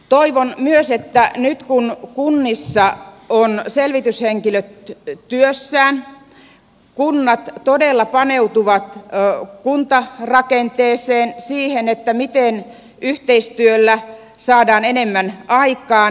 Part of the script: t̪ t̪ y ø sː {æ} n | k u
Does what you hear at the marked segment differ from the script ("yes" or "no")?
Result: yes